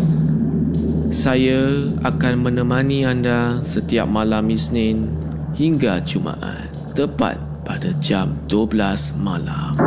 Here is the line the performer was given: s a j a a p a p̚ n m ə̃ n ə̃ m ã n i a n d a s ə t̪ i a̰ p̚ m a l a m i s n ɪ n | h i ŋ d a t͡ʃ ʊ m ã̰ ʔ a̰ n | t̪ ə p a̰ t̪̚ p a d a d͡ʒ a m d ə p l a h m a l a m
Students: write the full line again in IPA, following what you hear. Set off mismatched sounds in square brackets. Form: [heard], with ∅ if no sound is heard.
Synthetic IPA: s a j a a [k] a [∅] n m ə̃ n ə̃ m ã n i a n d a s ə t̪ i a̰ p̚ m a l a m i s n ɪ n | h i ŋ [ɡ] a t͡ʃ [u] m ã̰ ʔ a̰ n | t̪ ə p a̰ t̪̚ p a d a d͡ʒ a m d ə [b] l a [s] m a l a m